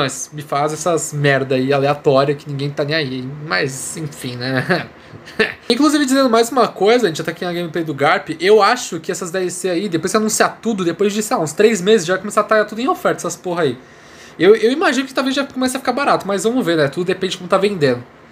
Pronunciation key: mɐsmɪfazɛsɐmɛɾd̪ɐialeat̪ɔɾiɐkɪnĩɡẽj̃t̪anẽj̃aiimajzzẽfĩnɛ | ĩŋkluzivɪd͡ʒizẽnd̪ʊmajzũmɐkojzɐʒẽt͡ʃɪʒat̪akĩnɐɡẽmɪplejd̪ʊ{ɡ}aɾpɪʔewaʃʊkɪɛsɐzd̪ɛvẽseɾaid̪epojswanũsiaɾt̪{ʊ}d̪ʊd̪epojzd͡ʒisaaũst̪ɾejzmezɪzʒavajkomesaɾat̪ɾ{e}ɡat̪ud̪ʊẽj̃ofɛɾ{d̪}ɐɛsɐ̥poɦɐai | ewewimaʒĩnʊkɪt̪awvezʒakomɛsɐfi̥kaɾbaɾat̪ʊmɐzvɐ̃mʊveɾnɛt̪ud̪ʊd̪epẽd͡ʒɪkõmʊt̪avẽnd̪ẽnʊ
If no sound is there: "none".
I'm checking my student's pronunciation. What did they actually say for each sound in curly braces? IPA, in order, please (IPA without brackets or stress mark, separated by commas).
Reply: ɡ, u, a, t̪